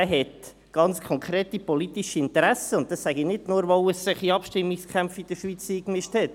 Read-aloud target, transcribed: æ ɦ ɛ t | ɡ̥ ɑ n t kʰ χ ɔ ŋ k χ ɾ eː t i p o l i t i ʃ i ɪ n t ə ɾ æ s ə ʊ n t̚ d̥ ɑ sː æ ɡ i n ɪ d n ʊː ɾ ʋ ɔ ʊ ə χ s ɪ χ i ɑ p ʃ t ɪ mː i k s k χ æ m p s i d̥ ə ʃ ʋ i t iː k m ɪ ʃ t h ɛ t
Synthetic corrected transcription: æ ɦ ɛ t | ɡ̥ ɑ n t͡s kʰ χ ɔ ŋ k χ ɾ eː t i p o l i t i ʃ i ɪ n t ə ɾ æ s ə ʊ n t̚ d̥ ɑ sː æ ɡ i n ɪ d n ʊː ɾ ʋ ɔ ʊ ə s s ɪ χ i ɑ p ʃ t ɪ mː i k s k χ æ m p f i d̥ ə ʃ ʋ i t͡s iː k m ɪ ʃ t h ɛ t